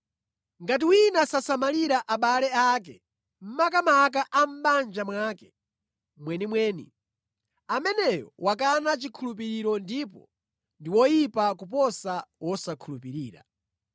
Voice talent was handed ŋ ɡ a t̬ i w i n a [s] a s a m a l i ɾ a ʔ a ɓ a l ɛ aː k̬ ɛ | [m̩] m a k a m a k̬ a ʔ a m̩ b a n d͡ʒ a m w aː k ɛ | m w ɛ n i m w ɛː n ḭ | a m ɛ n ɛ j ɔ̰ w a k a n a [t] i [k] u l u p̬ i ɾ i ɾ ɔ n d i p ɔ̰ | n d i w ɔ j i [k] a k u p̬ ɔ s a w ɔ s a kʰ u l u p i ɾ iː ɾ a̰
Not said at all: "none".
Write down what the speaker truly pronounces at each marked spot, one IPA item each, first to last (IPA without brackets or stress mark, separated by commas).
s, m̩, t͡ʃ, kʰ, p